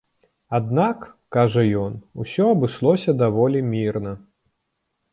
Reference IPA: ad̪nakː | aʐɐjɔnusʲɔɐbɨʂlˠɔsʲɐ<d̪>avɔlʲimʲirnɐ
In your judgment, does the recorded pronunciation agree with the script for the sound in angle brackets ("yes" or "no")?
yes